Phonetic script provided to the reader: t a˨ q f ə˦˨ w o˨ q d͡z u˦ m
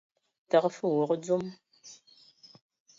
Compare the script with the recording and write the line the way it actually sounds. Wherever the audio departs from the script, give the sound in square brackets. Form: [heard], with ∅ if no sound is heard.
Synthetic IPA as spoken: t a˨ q f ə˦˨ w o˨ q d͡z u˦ m